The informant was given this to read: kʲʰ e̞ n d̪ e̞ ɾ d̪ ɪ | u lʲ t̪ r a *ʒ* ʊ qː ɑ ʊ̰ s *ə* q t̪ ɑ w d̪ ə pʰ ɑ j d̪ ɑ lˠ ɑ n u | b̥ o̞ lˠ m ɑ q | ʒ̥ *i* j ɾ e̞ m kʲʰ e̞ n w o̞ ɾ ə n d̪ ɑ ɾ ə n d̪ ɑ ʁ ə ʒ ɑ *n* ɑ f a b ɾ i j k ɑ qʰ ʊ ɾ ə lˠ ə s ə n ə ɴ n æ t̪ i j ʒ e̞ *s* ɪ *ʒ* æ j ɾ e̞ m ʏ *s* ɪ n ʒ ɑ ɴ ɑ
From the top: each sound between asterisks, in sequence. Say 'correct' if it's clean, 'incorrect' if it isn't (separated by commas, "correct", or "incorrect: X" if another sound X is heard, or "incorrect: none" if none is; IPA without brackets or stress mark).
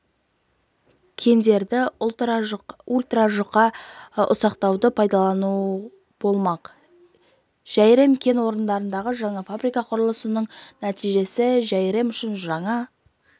correct, incorrect: ɑ, incorrect: æ, incorrect: ɴ, correct, correct, incorrect: ʃ